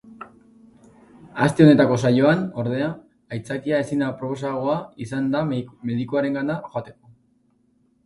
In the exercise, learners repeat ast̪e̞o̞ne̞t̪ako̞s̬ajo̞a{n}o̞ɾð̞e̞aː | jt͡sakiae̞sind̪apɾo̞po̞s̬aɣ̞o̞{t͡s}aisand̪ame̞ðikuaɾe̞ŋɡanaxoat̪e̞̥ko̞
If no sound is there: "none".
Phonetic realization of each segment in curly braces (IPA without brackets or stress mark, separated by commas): n, none